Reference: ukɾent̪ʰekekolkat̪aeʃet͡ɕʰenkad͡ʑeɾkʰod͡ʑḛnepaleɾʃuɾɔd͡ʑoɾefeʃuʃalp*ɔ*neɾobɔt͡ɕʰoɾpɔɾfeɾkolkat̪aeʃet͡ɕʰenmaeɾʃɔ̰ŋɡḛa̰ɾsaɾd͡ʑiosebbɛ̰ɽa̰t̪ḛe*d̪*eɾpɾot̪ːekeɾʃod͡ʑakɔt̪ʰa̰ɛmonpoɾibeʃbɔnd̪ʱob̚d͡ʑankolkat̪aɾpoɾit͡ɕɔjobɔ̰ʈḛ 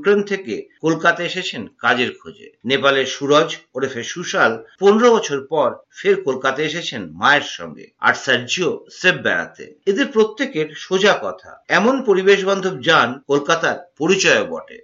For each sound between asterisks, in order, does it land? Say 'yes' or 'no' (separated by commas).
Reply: no, yes